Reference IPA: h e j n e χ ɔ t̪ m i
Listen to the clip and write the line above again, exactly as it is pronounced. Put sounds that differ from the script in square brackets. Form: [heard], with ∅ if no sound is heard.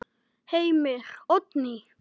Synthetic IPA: h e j [m] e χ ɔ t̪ [n] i